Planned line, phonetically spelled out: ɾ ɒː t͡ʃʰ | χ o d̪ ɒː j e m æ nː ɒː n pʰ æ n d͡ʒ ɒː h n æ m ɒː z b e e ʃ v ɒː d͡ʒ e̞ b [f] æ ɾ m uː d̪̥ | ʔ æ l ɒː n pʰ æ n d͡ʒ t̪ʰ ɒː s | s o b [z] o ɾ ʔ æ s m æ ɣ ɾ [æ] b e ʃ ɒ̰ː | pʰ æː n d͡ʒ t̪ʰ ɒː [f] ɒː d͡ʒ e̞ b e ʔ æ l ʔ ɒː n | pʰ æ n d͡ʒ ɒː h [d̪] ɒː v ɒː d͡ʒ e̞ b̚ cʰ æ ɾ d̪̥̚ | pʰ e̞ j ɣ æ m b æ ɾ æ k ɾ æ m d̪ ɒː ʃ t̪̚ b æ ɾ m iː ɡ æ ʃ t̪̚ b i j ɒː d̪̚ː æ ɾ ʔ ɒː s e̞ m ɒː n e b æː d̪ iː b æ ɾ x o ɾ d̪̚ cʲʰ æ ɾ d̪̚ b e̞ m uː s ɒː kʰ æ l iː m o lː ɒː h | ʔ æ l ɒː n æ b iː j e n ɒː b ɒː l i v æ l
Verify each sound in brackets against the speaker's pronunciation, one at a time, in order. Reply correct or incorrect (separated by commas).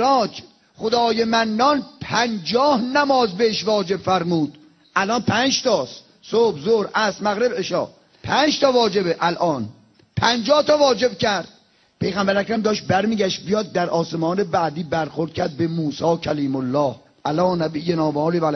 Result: correct, correct, incorrect, incorrect, incorrect